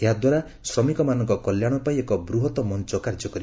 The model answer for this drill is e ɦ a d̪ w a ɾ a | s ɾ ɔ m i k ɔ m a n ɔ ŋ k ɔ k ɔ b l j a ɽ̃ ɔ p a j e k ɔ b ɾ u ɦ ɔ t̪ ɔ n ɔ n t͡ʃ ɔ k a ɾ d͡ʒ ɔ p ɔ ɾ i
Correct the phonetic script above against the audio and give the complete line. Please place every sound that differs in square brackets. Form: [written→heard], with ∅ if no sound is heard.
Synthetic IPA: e ɦ a d̪ w a ɾ a | s ɾ ɔ m i k ɔ m a n ɔ ŋ k ɔ k ɔ [b→∅] l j a ɽ̃ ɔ p a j e k ɔ b ɾ u ɦ ɔ t̪ ɔ [n→m] ɔ n t͡ʃ ɔ k a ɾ d͡ʒ ɔ [p→k] ɔ ɾ i